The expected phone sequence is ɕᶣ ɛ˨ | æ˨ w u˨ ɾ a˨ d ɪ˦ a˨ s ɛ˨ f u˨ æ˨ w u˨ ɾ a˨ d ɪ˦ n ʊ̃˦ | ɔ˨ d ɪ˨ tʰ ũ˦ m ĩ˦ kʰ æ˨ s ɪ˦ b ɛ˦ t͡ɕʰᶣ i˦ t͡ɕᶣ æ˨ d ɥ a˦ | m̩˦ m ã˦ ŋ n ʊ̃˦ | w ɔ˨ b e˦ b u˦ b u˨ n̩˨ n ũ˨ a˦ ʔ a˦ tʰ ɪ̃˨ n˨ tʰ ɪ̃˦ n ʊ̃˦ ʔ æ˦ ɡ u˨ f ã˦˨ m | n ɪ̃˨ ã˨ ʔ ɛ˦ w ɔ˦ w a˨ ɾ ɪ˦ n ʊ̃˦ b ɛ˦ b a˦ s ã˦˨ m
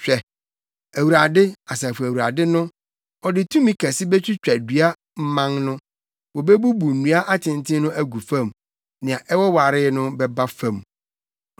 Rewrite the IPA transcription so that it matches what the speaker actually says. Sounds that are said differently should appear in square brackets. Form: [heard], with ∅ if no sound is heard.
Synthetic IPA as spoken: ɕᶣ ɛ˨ | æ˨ w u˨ ɾ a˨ d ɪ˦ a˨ s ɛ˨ f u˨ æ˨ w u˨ ɾ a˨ d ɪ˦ n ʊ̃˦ | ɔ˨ d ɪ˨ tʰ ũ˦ m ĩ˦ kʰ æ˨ s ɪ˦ b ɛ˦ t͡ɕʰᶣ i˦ t͡ɕᶣ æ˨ d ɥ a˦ | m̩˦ m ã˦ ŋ n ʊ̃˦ | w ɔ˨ b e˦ b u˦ b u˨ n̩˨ n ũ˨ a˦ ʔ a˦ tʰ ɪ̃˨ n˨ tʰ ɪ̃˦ n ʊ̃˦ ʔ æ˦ ɡ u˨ f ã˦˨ m | n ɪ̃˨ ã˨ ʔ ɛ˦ w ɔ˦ w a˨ ɾ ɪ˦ n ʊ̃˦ b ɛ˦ b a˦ [f] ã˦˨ m